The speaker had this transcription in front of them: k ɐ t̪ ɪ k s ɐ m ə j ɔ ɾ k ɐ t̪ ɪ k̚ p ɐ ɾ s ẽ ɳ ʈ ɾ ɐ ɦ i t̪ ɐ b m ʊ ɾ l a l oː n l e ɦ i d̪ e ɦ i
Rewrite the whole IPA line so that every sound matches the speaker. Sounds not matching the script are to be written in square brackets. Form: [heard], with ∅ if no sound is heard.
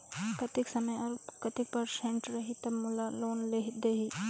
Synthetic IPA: k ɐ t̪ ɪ k s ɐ m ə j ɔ ɾ k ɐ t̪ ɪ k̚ p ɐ ɾ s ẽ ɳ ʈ ɾ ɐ ɦ i t̪ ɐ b m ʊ [∅] l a l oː n l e ɦ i d̪ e ɦ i